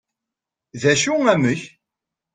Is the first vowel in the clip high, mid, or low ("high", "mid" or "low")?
low